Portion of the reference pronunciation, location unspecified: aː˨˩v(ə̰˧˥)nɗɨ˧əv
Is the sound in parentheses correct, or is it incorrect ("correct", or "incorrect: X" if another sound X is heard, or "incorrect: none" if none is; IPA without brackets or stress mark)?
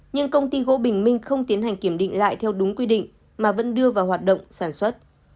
correct